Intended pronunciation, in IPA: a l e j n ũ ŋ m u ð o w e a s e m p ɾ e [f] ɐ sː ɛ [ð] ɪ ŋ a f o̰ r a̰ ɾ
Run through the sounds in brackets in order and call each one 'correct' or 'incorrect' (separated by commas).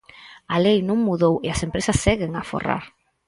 incorrect, incorrect